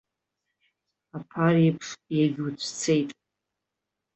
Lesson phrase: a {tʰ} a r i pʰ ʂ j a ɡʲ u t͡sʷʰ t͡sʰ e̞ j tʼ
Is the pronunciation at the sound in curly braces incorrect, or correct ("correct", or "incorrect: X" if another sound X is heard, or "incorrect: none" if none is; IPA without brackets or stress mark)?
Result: incorrect: pʰ